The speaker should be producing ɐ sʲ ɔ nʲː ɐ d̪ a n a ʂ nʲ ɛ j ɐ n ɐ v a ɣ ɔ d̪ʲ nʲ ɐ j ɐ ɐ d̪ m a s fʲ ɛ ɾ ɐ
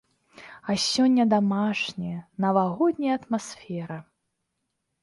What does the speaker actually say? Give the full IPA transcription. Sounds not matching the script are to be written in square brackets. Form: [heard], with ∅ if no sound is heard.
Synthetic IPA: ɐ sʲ ɔ nʲː ɐ d̪ a [m] a ʂ nʲ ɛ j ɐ n ɐ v a ɣ ɔ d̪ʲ nʲ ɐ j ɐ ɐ [t̪] m a s fʲ ɛ ɾ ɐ